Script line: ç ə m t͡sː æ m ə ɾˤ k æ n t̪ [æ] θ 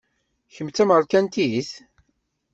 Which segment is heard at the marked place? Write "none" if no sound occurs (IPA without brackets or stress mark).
i